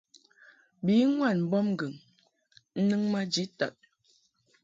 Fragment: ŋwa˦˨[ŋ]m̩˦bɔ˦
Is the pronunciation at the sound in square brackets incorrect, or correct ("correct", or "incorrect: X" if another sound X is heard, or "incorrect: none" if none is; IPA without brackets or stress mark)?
incorrect: n